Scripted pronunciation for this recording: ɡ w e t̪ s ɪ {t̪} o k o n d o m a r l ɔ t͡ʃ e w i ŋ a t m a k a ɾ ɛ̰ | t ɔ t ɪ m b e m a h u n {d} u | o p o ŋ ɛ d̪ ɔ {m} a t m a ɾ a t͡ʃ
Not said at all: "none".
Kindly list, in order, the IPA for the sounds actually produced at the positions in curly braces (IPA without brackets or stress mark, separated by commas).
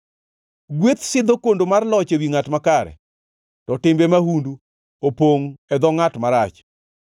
d̪, d, ŋ